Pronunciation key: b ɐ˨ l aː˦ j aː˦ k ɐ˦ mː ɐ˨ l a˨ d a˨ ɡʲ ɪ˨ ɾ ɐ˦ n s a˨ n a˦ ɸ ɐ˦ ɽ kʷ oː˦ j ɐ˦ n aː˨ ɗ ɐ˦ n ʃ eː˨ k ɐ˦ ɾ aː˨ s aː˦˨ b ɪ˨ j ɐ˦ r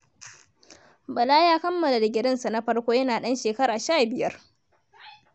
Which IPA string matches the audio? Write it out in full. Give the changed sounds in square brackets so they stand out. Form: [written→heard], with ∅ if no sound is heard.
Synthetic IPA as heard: b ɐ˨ l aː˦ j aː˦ k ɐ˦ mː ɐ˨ l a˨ d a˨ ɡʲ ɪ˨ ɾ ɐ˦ n s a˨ n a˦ ɸ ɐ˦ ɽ kʷ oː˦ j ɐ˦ n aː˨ ɗ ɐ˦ n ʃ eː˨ k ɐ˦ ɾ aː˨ [s→ʃ] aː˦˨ b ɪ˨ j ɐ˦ r